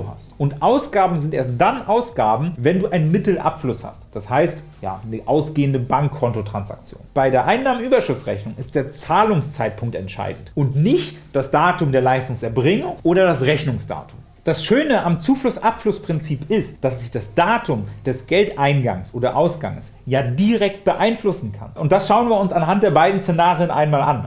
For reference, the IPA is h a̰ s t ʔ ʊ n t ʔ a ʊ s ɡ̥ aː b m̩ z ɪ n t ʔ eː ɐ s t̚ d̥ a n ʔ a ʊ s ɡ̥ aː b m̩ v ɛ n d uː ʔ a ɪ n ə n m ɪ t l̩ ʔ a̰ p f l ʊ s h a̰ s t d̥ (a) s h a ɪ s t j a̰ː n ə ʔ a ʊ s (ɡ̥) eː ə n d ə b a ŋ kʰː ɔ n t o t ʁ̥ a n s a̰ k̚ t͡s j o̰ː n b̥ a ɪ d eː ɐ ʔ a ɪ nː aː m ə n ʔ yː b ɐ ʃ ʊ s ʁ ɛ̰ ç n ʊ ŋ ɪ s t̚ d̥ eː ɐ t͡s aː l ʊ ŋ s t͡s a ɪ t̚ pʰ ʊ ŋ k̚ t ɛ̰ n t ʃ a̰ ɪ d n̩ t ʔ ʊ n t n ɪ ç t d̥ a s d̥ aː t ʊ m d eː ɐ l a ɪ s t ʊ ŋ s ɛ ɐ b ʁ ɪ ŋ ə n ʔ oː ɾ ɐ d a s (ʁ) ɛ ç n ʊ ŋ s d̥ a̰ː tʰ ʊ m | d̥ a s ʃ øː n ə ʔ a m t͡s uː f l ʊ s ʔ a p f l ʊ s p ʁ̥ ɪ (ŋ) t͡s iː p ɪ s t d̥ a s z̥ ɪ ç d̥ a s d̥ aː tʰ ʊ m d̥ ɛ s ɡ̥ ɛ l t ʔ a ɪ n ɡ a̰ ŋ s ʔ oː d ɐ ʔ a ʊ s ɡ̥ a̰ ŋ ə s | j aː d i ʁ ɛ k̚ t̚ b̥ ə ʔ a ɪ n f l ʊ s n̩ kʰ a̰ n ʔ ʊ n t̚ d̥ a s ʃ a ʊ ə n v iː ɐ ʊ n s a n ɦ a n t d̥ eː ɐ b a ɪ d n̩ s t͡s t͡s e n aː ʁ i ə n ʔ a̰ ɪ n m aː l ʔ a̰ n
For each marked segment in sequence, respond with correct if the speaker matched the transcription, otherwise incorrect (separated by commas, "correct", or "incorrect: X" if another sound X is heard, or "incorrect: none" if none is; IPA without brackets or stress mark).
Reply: correct, correct, correct, incorrect: n